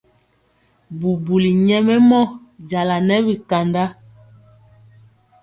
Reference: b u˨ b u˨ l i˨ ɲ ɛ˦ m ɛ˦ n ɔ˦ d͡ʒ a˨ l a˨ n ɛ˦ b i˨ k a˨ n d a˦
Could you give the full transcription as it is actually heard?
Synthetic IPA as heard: b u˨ b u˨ l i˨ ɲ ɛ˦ m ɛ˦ m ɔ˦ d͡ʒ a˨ l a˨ n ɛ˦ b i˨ k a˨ n d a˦